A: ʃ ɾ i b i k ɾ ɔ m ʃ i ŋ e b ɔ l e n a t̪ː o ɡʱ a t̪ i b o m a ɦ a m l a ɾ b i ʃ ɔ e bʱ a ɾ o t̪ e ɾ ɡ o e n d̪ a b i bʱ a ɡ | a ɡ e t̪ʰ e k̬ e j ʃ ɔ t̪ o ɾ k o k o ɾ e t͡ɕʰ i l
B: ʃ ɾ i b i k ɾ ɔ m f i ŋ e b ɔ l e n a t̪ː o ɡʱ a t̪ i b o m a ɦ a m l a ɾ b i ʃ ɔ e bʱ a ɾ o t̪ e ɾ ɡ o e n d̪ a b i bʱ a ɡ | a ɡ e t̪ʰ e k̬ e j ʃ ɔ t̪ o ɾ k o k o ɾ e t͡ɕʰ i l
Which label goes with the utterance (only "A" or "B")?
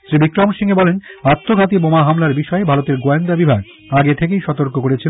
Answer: A